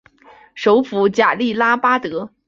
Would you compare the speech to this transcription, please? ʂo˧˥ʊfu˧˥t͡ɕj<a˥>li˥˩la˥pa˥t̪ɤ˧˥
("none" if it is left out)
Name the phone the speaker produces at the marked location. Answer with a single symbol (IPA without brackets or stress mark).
a˨˩